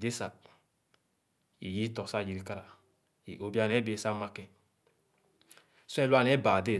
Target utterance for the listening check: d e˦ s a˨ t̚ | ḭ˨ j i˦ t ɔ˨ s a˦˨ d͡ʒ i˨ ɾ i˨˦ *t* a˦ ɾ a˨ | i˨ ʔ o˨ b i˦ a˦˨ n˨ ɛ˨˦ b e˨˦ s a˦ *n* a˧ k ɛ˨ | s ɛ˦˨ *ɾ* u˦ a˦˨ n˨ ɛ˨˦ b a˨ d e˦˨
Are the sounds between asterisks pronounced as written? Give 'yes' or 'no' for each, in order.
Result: no, no, no

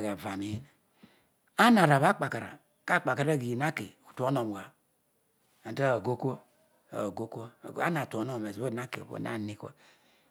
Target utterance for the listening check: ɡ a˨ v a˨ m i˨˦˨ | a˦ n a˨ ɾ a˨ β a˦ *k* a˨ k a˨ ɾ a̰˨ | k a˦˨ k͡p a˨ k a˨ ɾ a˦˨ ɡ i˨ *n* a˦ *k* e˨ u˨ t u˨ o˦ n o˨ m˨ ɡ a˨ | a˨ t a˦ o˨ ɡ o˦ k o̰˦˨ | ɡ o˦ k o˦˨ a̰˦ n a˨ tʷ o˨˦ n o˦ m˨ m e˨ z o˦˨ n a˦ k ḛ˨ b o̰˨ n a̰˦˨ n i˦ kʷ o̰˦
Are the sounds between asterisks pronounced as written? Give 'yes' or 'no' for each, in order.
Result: no, yes, yes

